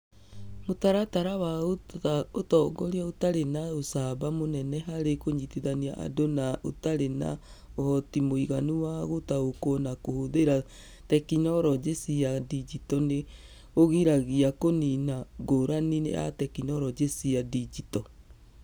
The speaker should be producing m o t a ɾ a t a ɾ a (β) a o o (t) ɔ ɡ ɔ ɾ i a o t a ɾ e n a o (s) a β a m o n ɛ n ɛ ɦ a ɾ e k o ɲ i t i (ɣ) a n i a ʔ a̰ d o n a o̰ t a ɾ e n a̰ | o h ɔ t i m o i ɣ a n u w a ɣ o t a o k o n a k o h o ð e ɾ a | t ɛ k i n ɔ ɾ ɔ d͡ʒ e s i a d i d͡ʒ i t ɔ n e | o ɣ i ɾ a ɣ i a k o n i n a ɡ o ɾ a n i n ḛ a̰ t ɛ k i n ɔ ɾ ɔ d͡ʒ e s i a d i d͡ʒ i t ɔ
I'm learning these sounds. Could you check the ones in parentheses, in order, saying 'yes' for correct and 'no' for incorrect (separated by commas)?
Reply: no, yes, yes, no